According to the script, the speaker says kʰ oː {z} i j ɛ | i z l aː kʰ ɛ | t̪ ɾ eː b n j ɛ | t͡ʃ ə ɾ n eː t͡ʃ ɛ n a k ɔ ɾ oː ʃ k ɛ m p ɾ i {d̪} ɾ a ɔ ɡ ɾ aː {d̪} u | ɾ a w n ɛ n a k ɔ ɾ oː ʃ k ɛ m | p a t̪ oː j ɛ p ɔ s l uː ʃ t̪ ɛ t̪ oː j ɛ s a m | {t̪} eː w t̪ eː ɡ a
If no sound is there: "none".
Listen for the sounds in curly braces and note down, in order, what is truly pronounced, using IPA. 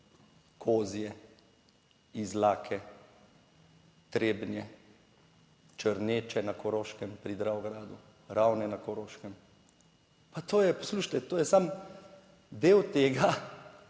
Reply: z, d̪, d̪, d̪

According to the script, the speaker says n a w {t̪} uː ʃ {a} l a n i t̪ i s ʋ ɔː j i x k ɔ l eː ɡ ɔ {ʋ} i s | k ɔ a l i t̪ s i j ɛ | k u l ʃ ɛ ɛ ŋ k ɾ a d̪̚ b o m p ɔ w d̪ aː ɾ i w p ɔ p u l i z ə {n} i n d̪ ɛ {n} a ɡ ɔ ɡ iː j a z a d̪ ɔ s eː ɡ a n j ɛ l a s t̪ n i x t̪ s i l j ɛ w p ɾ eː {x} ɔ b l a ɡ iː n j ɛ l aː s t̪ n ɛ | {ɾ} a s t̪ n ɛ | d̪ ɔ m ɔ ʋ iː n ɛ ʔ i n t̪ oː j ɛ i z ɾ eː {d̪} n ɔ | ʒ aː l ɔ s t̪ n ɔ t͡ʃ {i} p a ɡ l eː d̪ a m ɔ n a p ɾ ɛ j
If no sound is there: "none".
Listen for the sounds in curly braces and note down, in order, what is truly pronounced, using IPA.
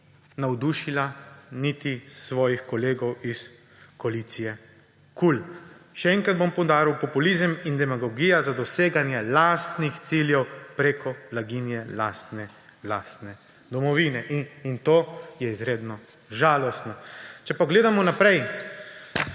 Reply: d̪, i, w, m, m, k, l, d̪, ɛ

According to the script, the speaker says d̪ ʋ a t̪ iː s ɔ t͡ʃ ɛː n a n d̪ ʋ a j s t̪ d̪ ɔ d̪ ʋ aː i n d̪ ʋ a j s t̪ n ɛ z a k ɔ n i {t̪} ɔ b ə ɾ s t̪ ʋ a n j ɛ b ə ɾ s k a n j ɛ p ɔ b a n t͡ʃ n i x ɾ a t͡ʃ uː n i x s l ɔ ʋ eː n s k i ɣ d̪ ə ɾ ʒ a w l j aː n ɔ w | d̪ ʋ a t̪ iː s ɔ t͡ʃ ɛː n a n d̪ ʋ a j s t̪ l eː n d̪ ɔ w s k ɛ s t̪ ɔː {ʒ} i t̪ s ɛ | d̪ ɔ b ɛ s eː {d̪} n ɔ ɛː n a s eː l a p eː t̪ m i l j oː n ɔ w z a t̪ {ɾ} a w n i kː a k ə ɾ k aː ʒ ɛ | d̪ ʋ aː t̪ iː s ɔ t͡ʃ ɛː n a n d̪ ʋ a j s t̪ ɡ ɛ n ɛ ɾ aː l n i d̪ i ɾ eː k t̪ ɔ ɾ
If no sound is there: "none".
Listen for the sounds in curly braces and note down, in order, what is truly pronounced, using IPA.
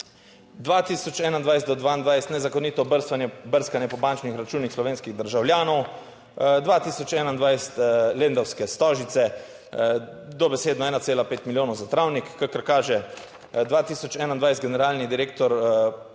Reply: t̪, ʒ, d̪, ɾ

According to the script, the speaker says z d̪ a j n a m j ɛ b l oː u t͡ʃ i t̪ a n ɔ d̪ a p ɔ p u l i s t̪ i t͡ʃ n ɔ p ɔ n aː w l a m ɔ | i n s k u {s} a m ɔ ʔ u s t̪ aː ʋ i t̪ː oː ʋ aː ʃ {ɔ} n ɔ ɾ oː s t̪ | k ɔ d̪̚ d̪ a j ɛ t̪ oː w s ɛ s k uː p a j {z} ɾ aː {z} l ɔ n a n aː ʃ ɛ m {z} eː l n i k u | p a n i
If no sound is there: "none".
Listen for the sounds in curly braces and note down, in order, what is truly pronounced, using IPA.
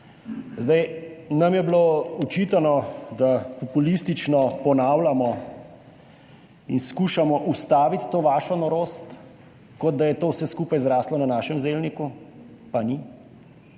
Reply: ʃ, ɔ, z, s, z

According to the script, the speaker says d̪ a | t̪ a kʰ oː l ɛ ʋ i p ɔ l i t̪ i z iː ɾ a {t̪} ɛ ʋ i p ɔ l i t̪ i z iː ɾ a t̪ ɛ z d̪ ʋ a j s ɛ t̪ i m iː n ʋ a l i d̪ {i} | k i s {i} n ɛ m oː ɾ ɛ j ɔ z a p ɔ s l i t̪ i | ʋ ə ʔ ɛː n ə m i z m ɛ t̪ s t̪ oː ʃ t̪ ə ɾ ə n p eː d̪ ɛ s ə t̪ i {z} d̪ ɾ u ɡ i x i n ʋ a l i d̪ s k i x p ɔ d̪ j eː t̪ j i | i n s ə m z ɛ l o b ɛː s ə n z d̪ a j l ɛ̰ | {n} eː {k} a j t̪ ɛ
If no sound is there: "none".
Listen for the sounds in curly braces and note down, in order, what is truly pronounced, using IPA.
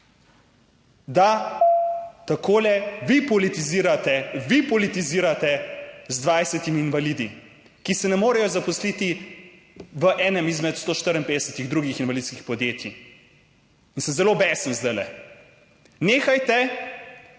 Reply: t̪, i, ɛ, ɣ, n, x

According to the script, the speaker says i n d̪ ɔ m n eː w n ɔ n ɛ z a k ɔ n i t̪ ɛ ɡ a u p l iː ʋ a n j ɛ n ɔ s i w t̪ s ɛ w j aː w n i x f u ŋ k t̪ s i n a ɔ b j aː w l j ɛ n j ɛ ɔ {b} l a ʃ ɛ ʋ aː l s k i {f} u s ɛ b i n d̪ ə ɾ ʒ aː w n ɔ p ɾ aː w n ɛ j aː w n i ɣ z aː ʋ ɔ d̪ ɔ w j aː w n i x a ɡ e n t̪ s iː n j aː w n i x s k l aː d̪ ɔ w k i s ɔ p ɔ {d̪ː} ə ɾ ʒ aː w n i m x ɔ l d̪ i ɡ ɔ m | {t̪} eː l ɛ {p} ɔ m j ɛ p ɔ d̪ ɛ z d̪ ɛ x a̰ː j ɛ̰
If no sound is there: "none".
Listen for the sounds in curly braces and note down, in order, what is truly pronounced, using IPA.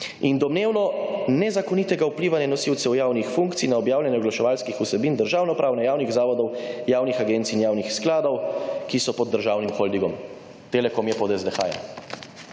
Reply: ɡ, x, d̪ː, t̪, k

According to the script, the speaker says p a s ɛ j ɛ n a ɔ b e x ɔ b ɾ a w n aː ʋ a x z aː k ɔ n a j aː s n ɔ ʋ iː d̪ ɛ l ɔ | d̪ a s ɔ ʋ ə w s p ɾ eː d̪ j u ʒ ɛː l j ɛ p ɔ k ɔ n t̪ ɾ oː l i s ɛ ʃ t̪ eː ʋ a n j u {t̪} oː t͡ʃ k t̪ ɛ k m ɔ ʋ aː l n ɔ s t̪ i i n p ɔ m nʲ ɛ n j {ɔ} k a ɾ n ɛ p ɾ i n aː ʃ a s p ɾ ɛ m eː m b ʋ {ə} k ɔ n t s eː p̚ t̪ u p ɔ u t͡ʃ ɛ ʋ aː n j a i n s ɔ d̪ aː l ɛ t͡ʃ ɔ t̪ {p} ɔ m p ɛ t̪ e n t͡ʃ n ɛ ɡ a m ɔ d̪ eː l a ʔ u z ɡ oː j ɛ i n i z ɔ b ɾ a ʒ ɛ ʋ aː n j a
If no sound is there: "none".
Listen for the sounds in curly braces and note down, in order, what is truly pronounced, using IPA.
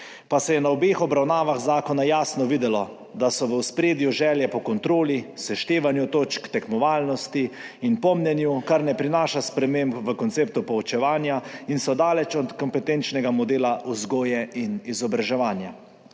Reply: t̪, u, ə, k

